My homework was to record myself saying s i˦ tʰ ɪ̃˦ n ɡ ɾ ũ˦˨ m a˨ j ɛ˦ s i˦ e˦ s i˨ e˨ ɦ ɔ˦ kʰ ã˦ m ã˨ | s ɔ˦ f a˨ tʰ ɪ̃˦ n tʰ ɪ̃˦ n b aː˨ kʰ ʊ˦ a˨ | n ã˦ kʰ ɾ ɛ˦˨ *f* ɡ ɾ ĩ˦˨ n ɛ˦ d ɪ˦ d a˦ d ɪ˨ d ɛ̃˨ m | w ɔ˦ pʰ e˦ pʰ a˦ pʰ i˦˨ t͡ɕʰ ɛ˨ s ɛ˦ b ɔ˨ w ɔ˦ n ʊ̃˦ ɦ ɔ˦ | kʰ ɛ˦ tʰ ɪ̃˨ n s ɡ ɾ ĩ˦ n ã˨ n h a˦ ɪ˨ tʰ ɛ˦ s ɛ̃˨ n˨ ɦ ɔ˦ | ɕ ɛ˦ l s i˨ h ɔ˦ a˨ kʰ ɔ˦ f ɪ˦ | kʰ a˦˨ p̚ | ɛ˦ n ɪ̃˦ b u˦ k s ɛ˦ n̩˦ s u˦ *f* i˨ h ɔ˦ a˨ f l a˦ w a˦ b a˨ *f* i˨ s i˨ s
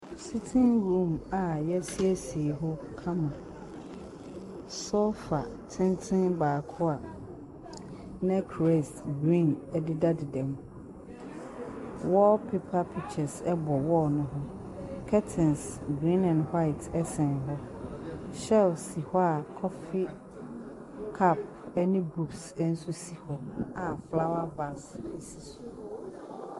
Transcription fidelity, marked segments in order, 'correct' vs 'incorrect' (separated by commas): incorrect, incorrect, incorrect